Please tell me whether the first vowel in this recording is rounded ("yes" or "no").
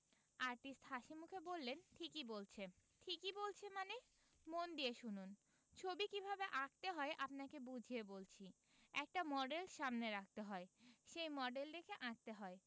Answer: no